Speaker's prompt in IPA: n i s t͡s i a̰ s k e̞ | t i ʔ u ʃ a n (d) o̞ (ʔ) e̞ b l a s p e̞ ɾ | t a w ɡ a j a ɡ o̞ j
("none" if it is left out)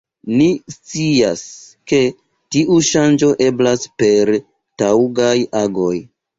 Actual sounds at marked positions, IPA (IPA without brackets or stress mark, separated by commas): d͡ʒ, ʔ